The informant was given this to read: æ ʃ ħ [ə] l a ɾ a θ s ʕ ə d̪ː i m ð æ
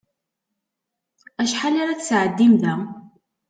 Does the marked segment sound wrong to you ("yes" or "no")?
yes